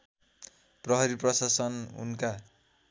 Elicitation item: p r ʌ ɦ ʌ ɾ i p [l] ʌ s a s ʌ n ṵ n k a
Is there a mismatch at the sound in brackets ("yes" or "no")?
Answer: yes